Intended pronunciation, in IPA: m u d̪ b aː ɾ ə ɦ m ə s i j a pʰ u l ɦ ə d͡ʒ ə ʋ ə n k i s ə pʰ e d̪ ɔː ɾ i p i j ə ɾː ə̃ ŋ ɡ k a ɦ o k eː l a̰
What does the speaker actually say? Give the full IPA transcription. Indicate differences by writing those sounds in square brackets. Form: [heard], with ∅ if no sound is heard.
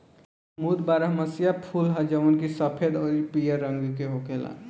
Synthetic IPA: m u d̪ b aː ɾ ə ɦ m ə s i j a pʰ u l ɦ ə d͡ʒ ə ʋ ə n k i s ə pʰ e d̪ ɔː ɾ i p i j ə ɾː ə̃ ŋ ɡ k [e] ɦ o k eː l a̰